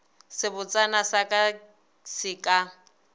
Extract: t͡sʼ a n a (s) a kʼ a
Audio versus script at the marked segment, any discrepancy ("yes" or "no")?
no